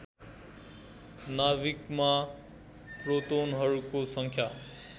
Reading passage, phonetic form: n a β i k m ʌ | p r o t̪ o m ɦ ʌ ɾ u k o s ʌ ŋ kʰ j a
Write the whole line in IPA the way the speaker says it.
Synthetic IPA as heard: n a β i k m a | p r o t̪ o n ɦ ʌ ɾ u k o s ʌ ŋ kʰ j a